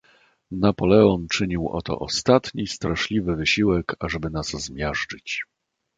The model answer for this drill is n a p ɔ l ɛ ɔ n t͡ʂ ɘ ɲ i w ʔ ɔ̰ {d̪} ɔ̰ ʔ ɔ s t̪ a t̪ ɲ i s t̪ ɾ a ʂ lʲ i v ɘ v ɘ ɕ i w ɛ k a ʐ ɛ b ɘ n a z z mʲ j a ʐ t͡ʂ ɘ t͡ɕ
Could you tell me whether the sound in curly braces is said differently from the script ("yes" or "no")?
yes